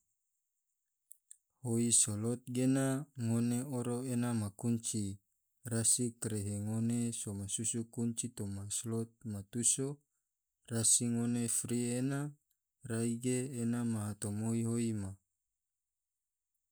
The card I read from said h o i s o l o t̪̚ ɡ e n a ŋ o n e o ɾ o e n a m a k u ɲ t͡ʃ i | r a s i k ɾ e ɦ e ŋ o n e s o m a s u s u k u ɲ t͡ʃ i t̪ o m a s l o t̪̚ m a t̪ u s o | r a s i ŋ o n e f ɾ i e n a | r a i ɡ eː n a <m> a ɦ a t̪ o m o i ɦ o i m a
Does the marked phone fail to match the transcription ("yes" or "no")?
no